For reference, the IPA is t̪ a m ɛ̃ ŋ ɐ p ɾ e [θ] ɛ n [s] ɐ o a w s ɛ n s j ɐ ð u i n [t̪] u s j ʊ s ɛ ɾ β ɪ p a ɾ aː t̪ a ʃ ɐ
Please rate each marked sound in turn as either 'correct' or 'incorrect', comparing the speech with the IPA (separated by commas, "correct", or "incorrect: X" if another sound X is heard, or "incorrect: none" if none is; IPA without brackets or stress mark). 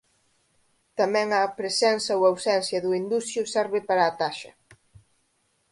incorrect: s, correct, incorrect: d̪